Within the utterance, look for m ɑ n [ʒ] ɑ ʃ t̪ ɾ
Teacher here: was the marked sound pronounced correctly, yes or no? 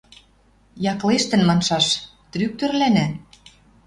no